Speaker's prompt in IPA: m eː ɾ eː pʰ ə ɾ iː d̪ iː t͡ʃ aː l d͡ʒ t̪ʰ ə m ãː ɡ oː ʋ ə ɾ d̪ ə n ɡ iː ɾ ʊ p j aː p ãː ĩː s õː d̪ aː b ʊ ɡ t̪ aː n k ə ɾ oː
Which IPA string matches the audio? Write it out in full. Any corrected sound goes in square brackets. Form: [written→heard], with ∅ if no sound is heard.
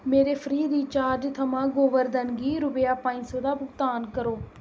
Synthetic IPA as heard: m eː ɾ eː pʰ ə ɾ iː d̪ iː t͡ʃ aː [l→ɾ] d͡ʒ t̪ʰ ə m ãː ɡ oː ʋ ə ɾ d̪ ə n ɡ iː ɾ ʊ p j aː p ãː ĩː s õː d̪ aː b ʊ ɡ t̪ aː n k ə ɾ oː